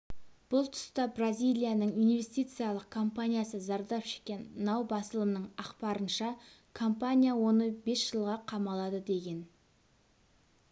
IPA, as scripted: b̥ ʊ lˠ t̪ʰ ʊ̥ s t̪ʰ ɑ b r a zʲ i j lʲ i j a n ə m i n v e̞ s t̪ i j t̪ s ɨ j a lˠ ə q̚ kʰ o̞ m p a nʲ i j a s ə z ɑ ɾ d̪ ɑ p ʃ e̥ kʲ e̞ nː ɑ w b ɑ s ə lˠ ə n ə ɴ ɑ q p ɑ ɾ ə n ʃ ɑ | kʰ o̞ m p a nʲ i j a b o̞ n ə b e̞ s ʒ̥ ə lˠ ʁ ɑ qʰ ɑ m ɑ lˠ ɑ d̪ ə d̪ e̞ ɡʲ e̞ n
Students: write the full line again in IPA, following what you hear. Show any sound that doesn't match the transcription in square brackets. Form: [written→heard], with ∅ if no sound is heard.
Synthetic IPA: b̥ ʊ lˠ t̪ʰ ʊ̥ s [t̪ʰ→t̪] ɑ b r a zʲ i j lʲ i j a n ə [m→ɴ] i n v e̞ s t̪ i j t̪ s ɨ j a lˠ ə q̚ kʰ o̞ m p a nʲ i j a s ə z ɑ ɾ d̪ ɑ p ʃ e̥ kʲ e̞ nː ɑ w b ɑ s ə lˠ ə n ə ɴ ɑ q p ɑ ɾ ə n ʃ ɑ | kʰ o̞ m p a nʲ i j a [b→w] o̞ n ə b e̞ s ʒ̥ ə lˠ ʁ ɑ qʰ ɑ m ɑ lˠ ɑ d̪ ə d̪ e̞ ɡʲ e̞ n

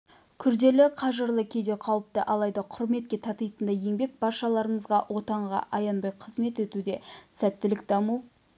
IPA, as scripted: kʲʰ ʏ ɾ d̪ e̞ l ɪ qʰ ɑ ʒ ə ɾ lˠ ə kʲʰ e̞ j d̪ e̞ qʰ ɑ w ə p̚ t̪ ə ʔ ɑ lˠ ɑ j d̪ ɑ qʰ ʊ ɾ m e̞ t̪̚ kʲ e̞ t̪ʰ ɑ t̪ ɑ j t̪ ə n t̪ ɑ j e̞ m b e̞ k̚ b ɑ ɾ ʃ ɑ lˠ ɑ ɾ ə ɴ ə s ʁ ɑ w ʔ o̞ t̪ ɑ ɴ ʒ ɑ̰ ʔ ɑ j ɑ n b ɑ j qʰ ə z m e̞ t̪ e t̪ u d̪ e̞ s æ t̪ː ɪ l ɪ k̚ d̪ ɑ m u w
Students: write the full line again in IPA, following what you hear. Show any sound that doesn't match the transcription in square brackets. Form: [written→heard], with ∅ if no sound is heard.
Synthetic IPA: kʲʰ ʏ ɾ d̪ e̞ l ɪ qʰ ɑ ʒ ə ɾ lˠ ə kʲʰ e̞ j d̪ e̞ qʰ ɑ w ə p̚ t̪ ə ʔ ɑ lˠ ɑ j d̪ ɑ qʰ ʊ ɾ m e̞ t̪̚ kʲ e̞ t̪ʰ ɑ t̪ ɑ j t̪ ə n [t̪→d̪] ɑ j e̞ [m→ŋ] b e̞ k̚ b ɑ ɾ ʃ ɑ lˠ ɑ ɾ ə ɴ ə [s→z] ʁ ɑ w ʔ o̞ t̪ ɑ ɴ [ʒ→ʁ] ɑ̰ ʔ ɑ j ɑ n b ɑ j qʰ ə z m e̞ t̪ e t̪ u d̪ e̞ s æ t̪ː ɪ l ɪ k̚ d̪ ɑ m u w

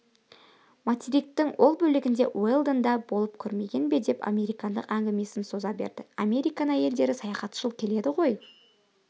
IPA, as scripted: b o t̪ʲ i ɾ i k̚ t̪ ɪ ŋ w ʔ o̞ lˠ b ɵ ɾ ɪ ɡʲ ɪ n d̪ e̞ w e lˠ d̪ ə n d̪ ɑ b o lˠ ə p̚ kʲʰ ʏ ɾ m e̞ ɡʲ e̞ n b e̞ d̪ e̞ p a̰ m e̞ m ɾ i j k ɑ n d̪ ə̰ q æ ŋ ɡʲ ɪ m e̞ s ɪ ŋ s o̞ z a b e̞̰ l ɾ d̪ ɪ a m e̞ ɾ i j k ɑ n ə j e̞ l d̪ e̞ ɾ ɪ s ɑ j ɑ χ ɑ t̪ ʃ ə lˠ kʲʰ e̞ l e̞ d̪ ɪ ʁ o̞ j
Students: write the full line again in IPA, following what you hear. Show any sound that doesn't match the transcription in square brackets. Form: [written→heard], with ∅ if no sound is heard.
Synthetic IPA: [b→m] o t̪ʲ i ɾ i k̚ t̪ ɪ ŋ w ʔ o̞ lˠ b ɵ [ɾ→l] ɪ ɡʲ ɪ n d̪ e̞ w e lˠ d̪ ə n d̪ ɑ b o lˠ ə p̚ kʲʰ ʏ ɾ m e̞ ɡʲ e̞ n b e̞ d̪ e̞ p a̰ m e̞ [m→∅] ɾ i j k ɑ n d̪ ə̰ q æ ŋ ɡʲ ɪ m e̞ s ɪ [ŋ→n] s o̞ z [a→ɑ] b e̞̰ [l→∅] ɾ d̪ ɪ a m e̞ ɾ i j k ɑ n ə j e̞ l d̪ e̞ ɾ ɪ s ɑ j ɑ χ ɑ t̪ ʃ ə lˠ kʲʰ e̞ l e̞ d̪ ɪ ʁ o̞ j

